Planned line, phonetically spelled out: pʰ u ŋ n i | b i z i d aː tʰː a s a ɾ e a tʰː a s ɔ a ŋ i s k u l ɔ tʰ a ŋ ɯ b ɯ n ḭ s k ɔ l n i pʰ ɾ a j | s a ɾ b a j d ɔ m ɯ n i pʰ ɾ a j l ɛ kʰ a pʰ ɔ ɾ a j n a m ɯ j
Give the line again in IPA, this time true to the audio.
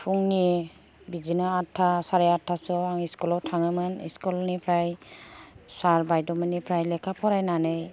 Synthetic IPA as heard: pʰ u ŋ n i | b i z i n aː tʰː a s a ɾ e a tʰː a s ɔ a ŋ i s k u l ɔ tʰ a ŋ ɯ m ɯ n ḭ s k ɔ l n i pʰ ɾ a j | s a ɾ b a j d ɔ m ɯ n i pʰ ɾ a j l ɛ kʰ a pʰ ɔ ɾ a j n a n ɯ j